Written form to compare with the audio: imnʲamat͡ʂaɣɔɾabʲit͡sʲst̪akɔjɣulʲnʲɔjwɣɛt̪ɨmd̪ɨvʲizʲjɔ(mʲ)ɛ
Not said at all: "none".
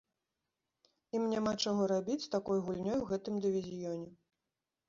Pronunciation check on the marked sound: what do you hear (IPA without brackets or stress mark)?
nʲ